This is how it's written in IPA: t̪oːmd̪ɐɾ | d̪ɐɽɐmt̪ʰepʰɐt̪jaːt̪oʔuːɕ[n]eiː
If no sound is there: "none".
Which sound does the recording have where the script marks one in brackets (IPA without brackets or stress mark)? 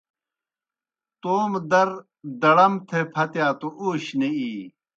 n